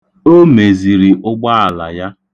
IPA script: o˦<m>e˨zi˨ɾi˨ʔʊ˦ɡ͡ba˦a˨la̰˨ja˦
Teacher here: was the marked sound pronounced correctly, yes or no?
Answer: yes